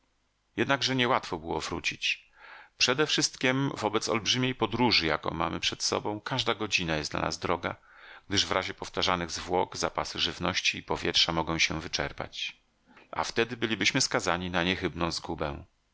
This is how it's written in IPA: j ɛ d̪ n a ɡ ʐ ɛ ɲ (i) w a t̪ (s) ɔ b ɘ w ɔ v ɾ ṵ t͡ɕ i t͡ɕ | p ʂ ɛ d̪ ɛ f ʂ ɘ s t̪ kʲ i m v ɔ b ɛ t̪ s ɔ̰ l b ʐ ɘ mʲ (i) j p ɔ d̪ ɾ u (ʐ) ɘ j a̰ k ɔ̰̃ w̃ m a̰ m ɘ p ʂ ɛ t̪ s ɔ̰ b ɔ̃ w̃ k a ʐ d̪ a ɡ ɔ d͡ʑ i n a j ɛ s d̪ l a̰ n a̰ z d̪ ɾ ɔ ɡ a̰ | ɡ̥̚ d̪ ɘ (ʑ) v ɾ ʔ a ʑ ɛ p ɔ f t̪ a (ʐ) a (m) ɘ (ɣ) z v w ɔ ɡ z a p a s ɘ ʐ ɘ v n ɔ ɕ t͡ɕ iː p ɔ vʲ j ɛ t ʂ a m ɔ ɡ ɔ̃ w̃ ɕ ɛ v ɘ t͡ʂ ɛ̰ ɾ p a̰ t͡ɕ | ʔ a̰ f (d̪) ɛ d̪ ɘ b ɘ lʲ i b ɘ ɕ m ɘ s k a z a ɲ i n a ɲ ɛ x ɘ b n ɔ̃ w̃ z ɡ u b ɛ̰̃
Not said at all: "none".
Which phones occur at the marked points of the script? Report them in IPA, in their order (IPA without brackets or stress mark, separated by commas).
ɛ, f, e, ʐ, ʐ, ʐ, n, ɣ, t̪